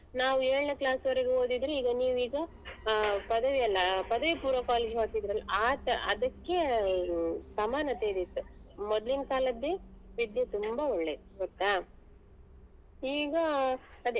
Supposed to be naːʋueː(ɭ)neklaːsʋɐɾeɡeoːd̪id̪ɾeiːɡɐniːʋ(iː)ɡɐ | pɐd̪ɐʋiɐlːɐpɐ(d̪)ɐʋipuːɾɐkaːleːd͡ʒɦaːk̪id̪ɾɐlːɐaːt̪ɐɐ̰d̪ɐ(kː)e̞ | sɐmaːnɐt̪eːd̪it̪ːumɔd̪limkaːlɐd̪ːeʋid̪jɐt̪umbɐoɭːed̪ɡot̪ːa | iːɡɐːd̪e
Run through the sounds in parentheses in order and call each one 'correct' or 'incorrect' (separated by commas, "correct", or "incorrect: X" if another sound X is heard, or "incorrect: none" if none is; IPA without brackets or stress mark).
correct, correct, correct, correct